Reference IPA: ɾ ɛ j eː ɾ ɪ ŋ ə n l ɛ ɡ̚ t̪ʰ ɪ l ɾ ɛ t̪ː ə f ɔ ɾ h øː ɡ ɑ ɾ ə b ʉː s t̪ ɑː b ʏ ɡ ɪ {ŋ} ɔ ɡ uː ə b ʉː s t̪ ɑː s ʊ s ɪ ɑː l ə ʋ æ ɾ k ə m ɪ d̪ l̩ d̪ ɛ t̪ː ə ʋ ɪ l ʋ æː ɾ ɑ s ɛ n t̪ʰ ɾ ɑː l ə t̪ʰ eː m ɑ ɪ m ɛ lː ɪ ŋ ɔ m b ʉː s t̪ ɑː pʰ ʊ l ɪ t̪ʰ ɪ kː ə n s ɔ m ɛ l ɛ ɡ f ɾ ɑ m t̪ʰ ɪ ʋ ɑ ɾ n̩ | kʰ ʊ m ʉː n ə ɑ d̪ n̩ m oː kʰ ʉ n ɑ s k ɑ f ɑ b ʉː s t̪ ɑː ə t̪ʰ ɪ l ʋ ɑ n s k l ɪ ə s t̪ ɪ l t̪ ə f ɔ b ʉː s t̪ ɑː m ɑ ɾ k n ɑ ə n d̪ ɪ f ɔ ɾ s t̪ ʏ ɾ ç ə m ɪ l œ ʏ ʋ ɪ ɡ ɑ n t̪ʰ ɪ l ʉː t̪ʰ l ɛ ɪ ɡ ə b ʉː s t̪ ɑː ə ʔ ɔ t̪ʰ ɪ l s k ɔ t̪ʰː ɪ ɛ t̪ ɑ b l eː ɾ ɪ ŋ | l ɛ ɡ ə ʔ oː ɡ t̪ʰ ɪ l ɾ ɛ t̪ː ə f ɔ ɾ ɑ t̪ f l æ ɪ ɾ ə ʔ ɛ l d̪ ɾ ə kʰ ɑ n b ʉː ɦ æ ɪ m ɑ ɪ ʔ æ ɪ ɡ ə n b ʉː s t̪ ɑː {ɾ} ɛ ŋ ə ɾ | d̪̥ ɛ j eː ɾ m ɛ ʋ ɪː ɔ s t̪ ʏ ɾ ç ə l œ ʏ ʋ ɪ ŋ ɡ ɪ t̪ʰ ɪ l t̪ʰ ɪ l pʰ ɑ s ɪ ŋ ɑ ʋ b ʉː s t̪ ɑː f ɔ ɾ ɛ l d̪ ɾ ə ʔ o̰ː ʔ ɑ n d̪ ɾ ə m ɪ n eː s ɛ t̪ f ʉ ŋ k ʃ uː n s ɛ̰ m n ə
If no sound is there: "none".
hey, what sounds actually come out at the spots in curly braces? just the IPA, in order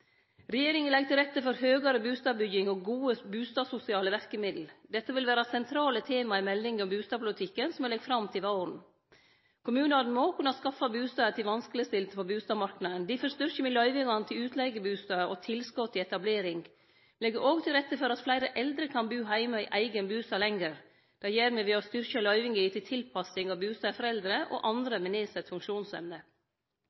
ŋ, l

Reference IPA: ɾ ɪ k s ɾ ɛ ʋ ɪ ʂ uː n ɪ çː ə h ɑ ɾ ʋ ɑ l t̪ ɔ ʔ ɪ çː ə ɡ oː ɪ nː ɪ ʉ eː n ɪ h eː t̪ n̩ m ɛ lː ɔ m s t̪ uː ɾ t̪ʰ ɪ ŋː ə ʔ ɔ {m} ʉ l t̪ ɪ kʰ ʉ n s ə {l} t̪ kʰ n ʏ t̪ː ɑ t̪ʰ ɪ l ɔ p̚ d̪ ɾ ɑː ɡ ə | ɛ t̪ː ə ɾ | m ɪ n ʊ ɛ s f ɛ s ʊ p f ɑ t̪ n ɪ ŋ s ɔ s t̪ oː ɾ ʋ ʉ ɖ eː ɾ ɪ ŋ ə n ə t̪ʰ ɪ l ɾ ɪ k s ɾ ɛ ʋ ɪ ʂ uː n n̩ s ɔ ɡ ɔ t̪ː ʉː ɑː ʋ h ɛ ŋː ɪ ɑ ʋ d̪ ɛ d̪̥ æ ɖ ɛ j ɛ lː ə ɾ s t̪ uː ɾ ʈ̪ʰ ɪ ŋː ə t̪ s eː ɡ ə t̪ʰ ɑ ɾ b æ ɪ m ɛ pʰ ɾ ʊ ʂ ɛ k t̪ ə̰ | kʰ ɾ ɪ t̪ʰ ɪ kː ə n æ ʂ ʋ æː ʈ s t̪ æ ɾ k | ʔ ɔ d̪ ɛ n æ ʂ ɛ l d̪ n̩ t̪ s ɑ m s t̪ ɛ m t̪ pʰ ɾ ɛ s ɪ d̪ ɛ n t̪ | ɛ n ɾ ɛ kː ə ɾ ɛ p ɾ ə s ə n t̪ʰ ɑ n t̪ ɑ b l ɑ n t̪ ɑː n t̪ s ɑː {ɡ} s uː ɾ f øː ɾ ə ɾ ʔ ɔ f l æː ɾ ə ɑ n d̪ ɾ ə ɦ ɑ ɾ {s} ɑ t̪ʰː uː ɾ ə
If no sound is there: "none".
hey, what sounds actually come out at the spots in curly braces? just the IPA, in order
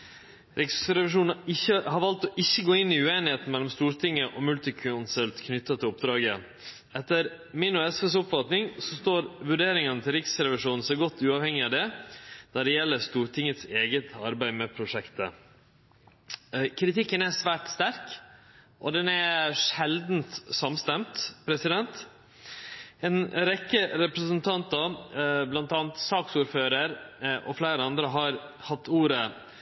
m, l, k, h

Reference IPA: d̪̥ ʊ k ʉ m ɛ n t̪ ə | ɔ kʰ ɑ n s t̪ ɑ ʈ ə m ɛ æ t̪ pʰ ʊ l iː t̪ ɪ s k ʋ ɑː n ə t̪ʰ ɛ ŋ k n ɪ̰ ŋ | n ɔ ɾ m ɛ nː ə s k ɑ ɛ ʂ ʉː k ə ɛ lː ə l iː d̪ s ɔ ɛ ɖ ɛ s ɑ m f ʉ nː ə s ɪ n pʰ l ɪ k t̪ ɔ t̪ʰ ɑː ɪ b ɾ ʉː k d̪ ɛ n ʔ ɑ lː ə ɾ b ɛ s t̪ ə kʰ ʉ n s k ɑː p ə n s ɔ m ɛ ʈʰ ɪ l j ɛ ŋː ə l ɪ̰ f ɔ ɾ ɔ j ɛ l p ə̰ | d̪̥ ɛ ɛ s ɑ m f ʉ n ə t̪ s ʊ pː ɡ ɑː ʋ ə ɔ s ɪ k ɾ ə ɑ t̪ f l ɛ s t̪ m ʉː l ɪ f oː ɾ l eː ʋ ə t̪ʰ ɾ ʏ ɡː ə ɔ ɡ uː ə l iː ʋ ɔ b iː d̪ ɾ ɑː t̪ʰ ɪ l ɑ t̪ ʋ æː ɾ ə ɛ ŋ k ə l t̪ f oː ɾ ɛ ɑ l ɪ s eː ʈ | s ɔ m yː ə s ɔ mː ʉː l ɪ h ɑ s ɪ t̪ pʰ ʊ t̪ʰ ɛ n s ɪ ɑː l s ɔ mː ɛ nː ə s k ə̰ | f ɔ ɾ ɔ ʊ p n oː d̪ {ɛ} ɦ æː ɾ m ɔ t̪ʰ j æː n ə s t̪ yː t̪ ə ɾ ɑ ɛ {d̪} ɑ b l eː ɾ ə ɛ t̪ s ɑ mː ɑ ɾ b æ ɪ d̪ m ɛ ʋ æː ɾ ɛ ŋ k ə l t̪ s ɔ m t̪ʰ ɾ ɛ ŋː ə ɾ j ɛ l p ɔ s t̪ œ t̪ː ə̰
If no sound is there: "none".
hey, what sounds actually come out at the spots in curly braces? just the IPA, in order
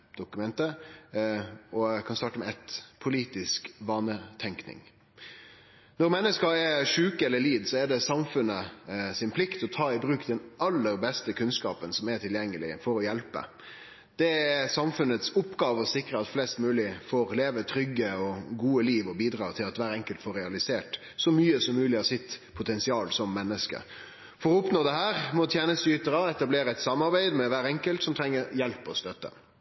ɛ, t̪

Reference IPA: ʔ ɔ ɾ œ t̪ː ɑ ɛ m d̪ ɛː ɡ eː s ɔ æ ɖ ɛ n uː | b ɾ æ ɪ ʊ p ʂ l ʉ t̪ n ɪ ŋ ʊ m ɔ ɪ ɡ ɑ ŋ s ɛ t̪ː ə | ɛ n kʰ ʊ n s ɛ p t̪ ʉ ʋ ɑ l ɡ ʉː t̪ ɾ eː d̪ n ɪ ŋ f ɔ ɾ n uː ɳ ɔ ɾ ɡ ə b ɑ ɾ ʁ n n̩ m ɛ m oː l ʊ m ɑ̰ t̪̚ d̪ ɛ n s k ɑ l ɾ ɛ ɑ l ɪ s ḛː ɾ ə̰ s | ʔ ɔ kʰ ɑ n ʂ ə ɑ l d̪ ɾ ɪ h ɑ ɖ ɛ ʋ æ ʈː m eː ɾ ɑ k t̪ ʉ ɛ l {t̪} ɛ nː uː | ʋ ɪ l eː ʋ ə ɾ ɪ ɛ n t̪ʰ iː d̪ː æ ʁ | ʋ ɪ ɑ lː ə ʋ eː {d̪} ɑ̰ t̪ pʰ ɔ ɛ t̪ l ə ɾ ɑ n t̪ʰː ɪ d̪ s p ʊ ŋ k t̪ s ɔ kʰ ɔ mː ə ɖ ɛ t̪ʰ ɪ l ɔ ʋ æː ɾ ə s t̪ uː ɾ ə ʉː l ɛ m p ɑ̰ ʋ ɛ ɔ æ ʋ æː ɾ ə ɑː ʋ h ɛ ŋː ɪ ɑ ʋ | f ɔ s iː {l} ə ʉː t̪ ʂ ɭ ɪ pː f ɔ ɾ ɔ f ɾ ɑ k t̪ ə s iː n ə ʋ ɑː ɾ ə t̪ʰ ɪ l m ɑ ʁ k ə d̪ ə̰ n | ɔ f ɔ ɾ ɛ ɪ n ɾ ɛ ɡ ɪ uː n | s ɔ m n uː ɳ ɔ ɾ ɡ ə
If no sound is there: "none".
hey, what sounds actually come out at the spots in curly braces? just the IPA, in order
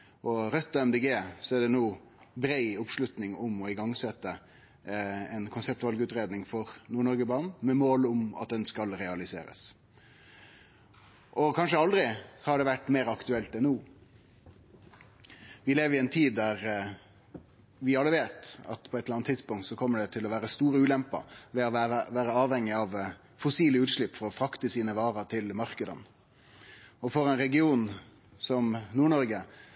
t̪, t̪, l

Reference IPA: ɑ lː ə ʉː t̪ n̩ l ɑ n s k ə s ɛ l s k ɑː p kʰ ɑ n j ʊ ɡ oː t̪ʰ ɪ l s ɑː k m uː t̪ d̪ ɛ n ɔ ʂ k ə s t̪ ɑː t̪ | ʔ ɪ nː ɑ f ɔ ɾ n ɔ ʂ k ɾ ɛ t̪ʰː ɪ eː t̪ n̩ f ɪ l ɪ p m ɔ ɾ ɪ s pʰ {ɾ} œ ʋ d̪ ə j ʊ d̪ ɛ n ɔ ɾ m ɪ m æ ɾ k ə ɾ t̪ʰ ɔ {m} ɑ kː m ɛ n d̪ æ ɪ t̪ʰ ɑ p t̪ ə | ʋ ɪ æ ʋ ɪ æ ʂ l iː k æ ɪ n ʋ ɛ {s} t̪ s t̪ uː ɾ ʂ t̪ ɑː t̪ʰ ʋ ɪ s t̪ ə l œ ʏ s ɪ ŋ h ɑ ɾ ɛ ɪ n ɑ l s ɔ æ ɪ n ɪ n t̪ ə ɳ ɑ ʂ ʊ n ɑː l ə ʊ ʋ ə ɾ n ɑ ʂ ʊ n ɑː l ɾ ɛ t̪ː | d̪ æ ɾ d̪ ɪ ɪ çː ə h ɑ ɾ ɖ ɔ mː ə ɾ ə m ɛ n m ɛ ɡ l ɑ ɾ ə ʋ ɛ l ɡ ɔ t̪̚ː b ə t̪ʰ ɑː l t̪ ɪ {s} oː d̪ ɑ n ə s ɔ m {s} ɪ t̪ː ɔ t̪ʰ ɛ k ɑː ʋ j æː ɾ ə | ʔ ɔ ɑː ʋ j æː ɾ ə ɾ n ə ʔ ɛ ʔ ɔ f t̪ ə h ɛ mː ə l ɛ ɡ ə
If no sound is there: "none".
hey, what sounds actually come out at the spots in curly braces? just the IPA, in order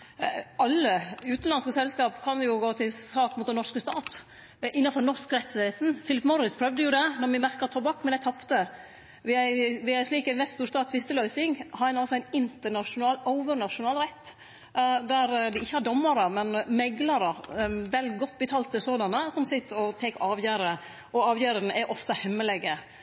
ɾ, b, s, s, s

